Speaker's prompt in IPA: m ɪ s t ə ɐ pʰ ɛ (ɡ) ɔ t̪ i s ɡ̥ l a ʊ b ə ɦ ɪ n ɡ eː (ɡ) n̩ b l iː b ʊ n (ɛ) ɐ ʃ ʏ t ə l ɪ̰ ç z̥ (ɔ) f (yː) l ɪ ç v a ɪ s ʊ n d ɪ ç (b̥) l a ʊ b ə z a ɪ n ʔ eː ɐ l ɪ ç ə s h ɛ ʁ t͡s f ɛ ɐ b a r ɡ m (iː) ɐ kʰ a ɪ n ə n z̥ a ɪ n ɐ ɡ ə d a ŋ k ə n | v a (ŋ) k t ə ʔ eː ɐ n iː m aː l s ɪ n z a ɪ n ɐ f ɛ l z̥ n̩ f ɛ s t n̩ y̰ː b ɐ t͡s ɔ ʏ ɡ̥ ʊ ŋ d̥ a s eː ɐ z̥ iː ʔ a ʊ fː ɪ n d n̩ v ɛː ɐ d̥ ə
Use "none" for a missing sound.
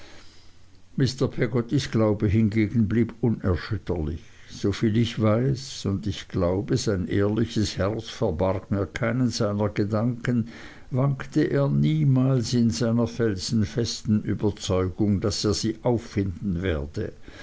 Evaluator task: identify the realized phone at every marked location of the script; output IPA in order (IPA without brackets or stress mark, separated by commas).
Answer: ɡ, ɡ, ɛ, o, iː, ɡ̥, iː, ŋ